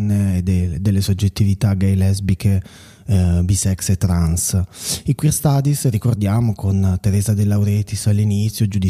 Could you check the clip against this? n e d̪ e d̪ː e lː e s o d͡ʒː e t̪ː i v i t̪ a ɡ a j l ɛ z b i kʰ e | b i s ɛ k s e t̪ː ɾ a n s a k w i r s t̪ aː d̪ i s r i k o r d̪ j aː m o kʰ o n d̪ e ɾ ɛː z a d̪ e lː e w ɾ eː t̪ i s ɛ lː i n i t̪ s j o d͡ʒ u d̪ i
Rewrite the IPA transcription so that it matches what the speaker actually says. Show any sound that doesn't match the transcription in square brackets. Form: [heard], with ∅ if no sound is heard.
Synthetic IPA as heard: n e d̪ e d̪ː e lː e s o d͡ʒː e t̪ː i v i t̪ a ɡ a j l ɛ z b i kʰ e | b i s ɛ k s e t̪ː ɾ a n s [i] k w i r s t̪ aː d̪ i s r i k o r d̪ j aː m o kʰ o n [t̪] e ɾ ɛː z a d̪ e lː [a] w ɾ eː t̪ i s [a] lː i n i t̪ s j o d͡ʒ u d̪ i